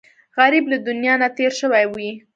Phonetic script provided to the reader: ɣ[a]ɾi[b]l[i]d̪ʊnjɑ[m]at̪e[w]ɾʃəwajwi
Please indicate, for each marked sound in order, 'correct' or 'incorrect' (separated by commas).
correct, correct, incorrect, incorrect, incorrect